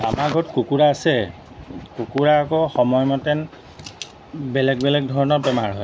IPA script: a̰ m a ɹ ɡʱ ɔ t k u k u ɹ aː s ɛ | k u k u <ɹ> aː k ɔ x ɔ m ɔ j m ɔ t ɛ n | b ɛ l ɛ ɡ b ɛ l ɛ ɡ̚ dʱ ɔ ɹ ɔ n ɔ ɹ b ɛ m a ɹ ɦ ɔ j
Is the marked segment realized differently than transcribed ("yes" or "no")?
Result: no